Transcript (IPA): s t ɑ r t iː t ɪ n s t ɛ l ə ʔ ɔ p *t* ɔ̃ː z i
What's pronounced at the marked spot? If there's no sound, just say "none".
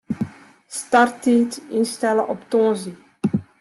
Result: t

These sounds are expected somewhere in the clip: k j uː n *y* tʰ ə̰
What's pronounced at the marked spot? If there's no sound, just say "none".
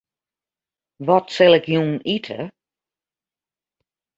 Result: i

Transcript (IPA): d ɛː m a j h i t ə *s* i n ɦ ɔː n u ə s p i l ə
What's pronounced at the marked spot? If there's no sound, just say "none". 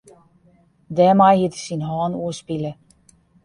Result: s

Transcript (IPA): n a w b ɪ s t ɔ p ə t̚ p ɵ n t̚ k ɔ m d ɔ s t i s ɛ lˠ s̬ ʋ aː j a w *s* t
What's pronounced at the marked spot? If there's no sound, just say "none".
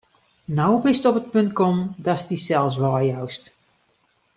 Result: s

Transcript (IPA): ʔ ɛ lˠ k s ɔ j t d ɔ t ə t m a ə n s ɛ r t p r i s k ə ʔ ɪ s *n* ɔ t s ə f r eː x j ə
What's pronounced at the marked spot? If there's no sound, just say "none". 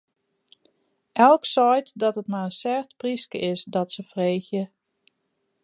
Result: d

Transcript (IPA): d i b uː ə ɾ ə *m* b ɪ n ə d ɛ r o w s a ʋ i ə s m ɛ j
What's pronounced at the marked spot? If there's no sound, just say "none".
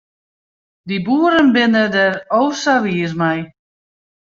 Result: n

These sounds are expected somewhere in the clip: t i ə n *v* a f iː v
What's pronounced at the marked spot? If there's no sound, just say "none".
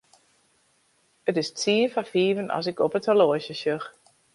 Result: f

